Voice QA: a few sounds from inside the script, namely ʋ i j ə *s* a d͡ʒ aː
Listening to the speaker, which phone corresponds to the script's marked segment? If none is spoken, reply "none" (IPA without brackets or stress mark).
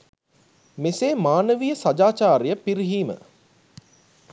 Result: s